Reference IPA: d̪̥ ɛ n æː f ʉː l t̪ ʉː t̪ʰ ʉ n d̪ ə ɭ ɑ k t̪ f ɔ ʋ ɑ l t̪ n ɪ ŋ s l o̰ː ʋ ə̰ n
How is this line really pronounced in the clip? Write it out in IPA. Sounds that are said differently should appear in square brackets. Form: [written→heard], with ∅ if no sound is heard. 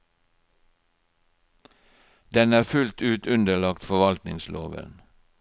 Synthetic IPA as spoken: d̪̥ ɛ n æː f [ʉː→ʉ] l t̪ ʉː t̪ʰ ʉ n d̪ ə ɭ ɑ k t̪ f ɔ ʋ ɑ l t̪ n ɪ ŋ s l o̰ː ʋ ə̰ n